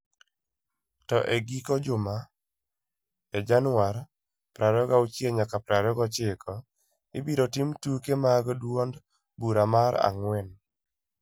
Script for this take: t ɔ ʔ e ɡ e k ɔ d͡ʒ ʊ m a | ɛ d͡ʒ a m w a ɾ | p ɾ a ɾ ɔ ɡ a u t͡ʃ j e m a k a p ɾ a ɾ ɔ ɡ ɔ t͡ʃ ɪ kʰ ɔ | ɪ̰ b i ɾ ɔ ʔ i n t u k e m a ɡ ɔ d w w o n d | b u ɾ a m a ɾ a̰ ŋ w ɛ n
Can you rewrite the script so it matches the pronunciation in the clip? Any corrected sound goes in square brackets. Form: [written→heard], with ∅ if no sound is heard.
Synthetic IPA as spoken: t ɔ ʔ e ɡ [e→i] k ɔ d͡ʒ ʊ m a | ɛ d͡ʒ a [m→n] w a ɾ | p ɾ a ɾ ɔ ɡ a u t͡ʃ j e [m→ɲ] a k a p ɾ a ɾ ɔ ɡ ɔ t͡ʃ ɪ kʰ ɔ | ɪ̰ b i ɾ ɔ [ʔ→t] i [n→m] t u k e m a ɡ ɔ d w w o n d | b u ɾ a m a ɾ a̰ ŋ w ɛ n